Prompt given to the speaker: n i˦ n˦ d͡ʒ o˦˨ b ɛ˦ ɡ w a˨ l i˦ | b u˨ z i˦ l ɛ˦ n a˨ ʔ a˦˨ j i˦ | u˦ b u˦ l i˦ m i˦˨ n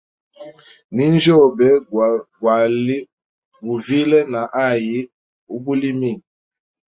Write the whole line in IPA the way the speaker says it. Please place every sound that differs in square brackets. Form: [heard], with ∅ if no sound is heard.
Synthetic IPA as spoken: n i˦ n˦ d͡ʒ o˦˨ b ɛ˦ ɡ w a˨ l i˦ | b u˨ [v] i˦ l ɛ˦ n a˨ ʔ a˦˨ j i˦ | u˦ b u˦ l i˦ m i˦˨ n